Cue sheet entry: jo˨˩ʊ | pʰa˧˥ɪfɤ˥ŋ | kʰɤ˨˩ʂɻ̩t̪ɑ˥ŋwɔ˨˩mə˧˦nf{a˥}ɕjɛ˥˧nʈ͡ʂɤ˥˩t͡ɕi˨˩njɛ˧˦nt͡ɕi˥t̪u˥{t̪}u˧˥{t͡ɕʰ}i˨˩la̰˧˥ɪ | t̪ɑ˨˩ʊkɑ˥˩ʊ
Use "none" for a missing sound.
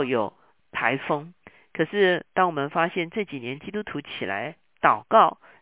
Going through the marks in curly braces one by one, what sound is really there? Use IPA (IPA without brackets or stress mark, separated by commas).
a˥, t̪ʰ, t͡ɕʰ